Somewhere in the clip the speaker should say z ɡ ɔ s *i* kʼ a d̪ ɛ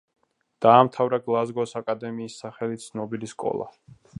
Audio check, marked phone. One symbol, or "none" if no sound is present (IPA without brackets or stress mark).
a